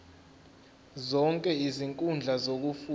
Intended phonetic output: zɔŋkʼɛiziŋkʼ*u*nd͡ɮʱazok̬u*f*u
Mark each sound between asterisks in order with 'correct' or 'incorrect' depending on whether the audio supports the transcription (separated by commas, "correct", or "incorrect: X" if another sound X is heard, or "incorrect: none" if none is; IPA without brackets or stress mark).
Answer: correct, correct